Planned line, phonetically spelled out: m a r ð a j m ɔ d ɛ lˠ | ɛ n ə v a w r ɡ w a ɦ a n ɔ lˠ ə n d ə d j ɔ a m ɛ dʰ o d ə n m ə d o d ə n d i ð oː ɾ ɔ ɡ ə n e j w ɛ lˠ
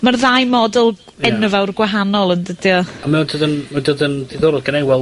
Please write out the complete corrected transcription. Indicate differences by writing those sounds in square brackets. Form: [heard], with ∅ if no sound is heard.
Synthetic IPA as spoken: m a r ð a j m ɔ d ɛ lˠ | ɛ n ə v a w r ɡ w a ɦ a n ɔ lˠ ə n d ə d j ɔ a m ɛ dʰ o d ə n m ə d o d ə n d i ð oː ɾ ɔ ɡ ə n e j w ɛ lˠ